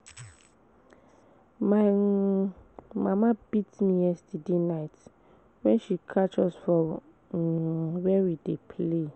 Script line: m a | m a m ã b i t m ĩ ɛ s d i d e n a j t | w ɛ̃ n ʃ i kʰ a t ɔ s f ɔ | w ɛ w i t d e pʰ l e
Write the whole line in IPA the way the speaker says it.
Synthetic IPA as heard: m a | m a m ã b i t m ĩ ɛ s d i d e n a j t | w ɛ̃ n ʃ i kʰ a t͡ʃ ɔ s f ɔ | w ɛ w i d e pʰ l e